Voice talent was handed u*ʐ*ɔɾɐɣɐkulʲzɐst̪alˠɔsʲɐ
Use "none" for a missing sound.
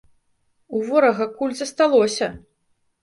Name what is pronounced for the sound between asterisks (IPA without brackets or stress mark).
v